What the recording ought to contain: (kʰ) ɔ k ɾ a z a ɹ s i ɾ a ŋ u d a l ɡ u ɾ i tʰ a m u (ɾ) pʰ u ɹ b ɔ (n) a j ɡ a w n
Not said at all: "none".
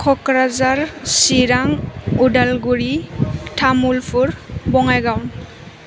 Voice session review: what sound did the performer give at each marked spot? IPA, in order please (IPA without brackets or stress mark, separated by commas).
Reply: kʰ, l, ŋ